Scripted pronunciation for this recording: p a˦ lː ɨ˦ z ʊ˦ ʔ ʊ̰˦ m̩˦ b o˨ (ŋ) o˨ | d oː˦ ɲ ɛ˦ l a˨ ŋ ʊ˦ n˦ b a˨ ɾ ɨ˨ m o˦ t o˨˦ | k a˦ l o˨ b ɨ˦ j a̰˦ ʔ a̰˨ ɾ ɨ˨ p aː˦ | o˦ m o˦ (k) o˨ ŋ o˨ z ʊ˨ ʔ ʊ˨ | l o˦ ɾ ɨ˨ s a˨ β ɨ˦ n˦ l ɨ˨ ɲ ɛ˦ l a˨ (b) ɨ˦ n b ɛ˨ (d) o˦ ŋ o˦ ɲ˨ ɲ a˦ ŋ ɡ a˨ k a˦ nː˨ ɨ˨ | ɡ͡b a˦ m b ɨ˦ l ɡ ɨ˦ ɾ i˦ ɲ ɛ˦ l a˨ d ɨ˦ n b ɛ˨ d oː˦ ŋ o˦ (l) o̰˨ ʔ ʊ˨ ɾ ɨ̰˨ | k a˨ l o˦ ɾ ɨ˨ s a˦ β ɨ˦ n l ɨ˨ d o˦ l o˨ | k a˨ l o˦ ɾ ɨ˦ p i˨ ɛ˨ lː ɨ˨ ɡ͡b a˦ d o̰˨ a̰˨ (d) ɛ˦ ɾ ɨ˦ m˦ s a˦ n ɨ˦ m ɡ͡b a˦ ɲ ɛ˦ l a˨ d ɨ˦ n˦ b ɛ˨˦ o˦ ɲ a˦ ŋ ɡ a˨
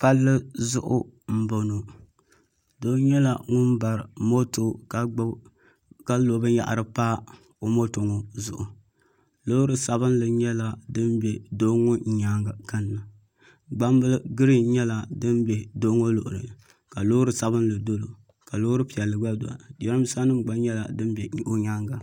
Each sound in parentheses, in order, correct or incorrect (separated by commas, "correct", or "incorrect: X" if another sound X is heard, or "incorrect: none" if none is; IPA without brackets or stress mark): incorrect: n, incorrect: t, incorrect: d, correct, correct, correct